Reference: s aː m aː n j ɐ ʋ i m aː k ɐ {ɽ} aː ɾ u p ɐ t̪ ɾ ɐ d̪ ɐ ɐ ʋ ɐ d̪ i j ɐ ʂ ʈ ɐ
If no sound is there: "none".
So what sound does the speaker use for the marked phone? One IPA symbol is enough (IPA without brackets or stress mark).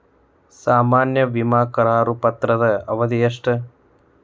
ɾ